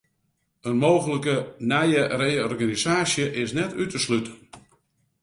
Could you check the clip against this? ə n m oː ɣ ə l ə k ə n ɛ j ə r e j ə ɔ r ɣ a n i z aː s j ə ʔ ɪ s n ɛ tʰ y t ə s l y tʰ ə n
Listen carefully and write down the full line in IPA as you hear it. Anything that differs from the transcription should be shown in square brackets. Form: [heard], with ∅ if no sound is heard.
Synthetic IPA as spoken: ə n m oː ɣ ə l ə k ə n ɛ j ə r e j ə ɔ r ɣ a n i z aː s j ə ʔ ɪ s n ɛ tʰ y t ə s l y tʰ ə n